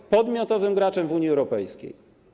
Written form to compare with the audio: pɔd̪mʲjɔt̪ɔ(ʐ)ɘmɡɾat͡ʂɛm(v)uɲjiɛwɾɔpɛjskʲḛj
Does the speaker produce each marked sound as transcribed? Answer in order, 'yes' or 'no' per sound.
no, yes

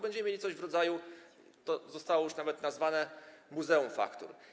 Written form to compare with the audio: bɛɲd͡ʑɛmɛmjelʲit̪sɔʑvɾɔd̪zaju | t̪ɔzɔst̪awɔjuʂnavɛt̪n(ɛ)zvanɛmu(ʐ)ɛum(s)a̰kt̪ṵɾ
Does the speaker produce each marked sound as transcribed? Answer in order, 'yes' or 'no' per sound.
no, no, no

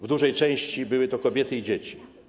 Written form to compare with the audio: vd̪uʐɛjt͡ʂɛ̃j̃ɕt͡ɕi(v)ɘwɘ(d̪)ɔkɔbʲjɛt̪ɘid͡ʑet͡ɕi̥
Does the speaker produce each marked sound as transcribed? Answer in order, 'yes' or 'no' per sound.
no, no

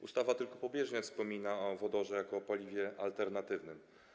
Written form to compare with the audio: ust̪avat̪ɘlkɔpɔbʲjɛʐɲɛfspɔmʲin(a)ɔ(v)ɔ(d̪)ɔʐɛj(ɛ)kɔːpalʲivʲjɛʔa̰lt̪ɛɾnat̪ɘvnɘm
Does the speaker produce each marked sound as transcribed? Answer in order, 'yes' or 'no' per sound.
yes, yes, yes, no

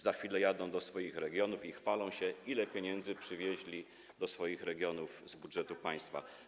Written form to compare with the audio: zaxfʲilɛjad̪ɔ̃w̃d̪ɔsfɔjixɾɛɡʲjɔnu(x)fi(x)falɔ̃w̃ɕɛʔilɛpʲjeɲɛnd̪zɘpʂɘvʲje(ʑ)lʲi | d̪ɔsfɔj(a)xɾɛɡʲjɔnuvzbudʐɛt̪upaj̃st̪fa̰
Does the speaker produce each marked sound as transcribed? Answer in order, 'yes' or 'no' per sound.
no, yes, yes, no

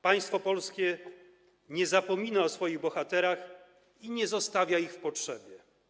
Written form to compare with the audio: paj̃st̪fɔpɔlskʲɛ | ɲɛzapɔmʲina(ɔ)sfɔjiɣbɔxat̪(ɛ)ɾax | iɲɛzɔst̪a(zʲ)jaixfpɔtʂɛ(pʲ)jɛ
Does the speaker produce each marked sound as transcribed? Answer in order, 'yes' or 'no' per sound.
yes, yes, no, no

